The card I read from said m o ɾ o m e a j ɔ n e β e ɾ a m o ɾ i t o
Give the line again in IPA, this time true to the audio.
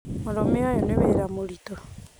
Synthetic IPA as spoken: m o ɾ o m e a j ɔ n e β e ɾ a m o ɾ i t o